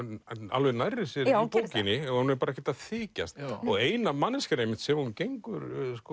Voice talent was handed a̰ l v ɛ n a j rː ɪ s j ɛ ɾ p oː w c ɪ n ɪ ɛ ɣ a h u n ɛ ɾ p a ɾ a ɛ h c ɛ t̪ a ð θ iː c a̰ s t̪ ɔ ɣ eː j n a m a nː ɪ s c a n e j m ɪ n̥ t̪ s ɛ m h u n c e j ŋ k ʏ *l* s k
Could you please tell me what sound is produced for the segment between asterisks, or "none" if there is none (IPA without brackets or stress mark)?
ɾ